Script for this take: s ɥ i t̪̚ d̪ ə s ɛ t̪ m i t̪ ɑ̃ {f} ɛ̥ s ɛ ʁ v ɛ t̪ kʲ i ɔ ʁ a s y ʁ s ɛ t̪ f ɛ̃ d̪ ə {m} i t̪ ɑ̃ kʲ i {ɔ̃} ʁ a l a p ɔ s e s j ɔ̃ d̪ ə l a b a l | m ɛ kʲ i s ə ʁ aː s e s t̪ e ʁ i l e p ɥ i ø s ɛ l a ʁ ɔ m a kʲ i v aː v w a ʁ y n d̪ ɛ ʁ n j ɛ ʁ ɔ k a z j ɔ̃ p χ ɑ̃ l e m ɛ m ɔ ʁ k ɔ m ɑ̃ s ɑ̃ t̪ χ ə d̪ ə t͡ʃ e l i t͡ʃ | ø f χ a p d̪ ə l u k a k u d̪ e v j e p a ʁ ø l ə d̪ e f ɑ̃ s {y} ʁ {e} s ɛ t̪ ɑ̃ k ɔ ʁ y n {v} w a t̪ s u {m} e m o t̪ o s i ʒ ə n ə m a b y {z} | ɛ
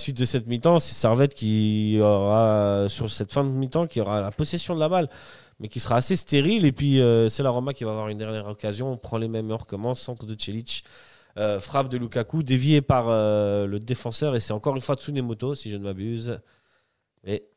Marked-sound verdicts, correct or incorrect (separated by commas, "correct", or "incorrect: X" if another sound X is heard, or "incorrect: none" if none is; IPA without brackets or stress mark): incorrect: s, correct, incorrect: ɔ, incorrect: œ, correct, incorrect: f, incorrect: n, correct